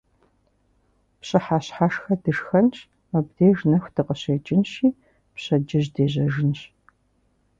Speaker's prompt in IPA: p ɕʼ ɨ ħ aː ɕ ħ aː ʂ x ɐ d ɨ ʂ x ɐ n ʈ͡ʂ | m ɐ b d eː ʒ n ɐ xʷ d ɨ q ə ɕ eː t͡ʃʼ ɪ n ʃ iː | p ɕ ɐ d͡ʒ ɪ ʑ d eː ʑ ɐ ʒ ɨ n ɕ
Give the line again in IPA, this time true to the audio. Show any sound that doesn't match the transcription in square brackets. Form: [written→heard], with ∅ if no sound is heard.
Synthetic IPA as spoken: p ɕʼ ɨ ħ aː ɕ ħ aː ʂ x ɐ d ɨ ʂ x ɐ n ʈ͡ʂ | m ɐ b d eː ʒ n ɐ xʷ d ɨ q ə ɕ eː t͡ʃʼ ɪ n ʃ iː | p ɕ ɐ d͡ʒ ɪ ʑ d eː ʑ ɐ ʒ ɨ n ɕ